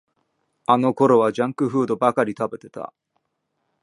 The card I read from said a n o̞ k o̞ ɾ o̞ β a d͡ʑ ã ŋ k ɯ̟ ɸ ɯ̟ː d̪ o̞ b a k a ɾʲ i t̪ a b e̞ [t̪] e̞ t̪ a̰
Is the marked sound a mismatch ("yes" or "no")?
no